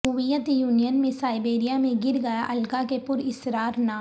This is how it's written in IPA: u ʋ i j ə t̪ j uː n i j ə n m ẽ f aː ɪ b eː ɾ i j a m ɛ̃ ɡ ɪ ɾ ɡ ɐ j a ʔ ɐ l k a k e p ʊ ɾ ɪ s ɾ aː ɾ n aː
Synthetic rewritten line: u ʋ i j ə t̪ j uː n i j ə n m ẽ s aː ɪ b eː ɾ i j a m ẽ ɡ ɪ ɾ ɡ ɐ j a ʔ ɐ l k a k e p ʊ ɾ ɪ s ɾ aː ɾ n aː

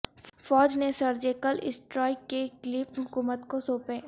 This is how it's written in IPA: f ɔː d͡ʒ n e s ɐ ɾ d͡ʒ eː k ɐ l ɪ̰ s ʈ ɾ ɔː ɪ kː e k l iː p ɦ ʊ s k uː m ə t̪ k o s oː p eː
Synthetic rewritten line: f ɔː d͡ʒ n e s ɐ ɾ d͡ʒ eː k ə l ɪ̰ s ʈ ɾ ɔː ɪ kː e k l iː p ɦ ʊ k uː m ə t̪ k o s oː p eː

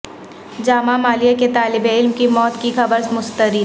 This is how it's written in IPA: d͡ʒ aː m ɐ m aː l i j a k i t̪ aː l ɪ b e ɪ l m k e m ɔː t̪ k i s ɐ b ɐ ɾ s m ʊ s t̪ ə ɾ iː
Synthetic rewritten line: d͡ʒ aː m a m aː l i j a k e t̪ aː l ɪ b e ɪ l m k i m ɔː t̪ k i x ɐ b ə ɾ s m ʊ s t̪ ə ɾ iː

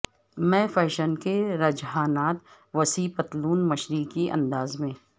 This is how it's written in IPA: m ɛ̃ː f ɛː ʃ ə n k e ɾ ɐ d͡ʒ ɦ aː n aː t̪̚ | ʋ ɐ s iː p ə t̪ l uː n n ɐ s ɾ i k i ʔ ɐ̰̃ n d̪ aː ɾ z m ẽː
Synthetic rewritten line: m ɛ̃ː f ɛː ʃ ə n k e ɾ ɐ d͡ʒ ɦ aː n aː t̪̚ | ʋ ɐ s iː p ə t̪ l uː n m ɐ ʃ ɾ i k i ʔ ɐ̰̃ n d̪ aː z m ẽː

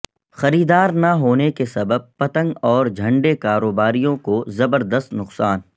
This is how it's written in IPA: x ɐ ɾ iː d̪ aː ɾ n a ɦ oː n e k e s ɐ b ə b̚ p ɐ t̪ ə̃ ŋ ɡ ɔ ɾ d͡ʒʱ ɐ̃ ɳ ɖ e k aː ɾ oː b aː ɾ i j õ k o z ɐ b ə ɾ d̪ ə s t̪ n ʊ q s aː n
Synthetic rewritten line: x ɐ ɾ iː d̪ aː ɾ n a ɦ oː n e k e s ɐ b ə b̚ p ɐ t̪ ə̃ ŋ ɡ ɔː ɾ d͡ʒʱ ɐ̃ ɳ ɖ e k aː ɾ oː b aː ɾ i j õ k o z ɐ b ə ɾ d̪ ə s t̪ n ʊ q s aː n

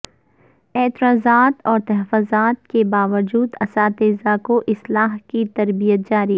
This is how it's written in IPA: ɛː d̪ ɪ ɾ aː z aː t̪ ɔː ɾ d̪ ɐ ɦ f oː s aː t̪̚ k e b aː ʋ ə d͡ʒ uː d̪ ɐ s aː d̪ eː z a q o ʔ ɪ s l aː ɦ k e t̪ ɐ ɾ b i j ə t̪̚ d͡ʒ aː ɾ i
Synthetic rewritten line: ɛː t̪ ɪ ɾ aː z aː t̪ ɔː ɾ t̪ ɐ ɦ f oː z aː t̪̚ k e b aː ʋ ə d͡ʒ uː d̪ ɐ s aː t̪ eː z a k o ʔ ɪ s l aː ɦ k i t̪ ɐ ɾ b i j ə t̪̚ d͡ʒ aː ɾ i

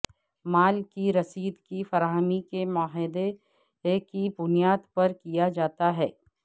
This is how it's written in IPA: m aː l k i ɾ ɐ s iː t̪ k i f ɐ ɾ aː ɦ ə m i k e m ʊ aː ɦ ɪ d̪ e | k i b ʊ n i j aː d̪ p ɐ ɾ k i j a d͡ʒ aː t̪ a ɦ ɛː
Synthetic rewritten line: m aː l k i ɾ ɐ s iː d̪ k i f ɐ ɾ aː ɦ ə m i k e m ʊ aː ɦ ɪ d̪ e | k i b ʊ n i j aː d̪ p ɐ ɾ k i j a d͡ʒ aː t̪ a ɦ ɛː

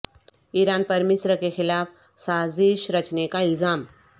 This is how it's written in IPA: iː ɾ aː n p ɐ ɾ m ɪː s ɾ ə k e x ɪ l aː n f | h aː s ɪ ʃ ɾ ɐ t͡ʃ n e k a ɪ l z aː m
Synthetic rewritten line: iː ɾ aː n p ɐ ɾ m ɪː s ɾ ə k e x ɪ l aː f | s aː z ɪ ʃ ɾ ɐ t͡ʃ n e k a ɪ l z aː m

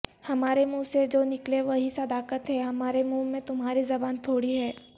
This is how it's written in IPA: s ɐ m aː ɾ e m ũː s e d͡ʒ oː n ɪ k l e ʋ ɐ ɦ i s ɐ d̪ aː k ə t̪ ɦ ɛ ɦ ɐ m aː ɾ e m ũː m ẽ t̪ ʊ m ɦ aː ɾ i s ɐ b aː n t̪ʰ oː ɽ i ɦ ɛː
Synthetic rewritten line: h ɐ m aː ɾ e m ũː s e d͡ʒ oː n ɪ k l e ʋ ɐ ɦ i s ɐ d̪ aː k ə t̪ ɦ ɛ ɦ ɐ m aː ɾ e m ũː m ẽ t̪ ʊ m ɦ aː ɾ i z ɐ b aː n t̪ʰ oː ɽ i ɦ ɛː

